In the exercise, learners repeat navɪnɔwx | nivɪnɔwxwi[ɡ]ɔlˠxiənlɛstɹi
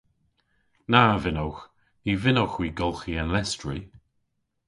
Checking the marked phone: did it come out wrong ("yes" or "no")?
no